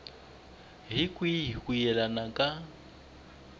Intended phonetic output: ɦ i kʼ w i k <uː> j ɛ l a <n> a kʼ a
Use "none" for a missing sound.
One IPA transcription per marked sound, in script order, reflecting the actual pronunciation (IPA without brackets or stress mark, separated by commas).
u, n